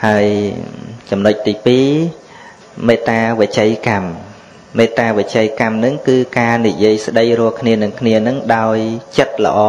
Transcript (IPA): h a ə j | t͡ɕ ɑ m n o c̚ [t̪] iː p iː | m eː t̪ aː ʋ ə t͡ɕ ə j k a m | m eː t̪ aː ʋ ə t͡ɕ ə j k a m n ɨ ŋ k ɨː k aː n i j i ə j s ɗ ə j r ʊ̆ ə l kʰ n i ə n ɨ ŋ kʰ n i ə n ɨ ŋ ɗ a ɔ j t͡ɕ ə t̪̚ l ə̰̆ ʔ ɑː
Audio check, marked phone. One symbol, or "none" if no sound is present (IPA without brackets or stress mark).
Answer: t̪